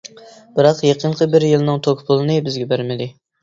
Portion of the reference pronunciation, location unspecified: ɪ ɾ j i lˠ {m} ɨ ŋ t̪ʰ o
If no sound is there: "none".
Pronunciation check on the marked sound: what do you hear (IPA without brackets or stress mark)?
n